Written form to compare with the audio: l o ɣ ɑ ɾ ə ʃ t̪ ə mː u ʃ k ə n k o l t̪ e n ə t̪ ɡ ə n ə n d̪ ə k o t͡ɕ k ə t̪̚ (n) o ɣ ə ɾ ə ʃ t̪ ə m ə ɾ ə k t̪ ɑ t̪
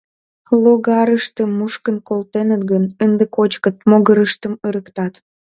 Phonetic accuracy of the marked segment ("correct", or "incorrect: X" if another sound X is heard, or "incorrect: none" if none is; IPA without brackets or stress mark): incorrect: m